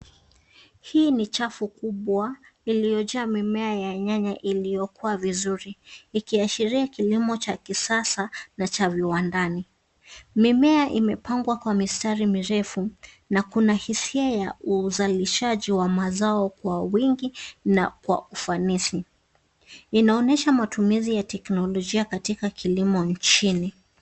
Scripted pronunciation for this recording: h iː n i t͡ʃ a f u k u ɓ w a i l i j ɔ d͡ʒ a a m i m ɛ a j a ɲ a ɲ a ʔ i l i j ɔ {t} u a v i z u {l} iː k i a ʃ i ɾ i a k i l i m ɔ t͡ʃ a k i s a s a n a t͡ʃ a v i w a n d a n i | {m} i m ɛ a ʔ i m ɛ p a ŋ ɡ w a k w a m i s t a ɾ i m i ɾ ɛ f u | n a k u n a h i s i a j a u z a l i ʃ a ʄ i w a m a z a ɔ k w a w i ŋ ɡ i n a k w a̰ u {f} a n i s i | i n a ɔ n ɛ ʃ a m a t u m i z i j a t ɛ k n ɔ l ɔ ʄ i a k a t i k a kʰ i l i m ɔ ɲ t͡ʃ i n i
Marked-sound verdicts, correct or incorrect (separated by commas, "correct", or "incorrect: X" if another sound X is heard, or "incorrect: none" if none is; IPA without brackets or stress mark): incorrect: k, incorrect: ɾ, correct, correct